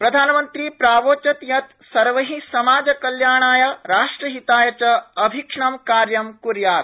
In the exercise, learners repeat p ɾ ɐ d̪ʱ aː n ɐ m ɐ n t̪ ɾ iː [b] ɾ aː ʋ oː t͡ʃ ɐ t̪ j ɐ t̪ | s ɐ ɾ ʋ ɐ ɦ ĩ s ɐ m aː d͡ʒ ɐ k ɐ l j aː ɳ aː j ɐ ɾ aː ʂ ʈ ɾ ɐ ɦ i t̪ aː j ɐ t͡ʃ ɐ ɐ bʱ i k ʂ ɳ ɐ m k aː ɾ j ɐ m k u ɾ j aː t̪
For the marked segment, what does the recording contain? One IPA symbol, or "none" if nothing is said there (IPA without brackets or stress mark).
p